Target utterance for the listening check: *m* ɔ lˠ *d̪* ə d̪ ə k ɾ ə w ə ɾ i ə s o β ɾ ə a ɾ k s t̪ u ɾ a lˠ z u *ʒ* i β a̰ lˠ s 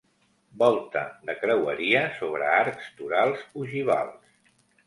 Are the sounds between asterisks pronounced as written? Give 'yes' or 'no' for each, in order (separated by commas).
no, no, yes